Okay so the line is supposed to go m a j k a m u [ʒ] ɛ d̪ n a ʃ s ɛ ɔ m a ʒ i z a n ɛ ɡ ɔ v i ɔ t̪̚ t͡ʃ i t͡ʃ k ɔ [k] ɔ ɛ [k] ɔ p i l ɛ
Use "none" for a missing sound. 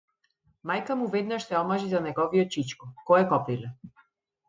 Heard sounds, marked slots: v, k, k

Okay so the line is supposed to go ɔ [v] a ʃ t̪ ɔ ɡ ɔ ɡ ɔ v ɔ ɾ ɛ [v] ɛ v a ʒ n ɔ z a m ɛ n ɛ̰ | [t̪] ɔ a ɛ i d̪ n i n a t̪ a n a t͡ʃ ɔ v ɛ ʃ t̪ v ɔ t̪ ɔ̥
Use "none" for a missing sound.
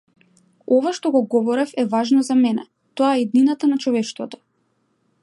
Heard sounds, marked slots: v, f, t̪

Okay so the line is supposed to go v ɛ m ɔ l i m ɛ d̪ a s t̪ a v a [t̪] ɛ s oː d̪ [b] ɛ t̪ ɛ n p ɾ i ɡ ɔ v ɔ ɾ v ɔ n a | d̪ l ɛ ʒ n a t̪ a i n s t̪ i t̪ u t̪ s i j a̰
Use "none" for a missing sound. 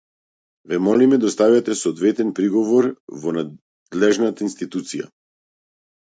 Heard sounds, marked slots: t̪, v

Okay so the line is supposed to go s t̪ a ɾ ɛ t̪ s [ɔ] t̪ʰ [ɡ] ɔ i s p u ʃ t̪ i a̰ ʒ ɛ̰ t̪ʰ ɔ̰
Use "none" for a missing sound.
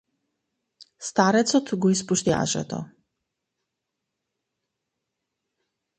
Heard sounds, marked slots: ɔ, ɡ

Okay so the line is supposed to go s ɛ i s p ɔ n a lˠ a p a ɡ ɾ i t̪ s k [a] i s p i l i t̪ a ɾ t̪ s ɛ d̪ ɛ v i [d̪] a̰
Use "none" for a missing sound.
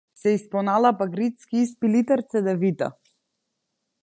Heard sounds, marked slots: i, t̪

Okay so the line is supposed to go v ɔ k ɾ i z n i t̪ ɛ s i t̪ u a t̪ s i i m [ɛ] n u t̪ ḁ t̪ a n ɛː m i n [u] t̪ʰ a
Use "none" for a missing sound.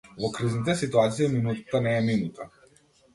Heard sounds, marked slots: i, u

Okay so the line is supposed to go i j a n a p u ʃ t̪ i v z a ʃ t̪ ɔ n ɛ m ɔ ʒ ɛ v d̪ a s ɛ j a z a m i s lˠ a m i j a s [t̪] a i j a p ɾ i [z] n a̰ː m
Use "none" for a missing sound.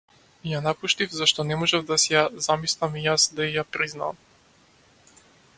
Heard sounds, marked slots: d̪, z

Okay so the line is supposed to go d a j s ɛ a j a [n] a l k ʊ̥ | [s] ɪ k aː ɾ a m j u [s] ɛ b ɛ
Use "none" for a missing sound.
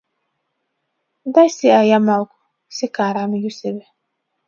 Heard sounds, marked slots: m, s, s

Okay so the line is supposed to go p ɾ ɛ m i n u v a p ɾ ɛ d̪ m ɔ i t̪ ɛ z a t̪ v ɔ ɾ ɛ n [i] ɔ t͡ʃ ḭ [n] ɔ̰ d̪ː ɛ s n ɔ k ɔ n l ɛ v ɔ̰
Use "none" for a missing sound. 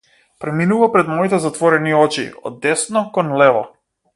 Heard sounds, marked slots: i, none

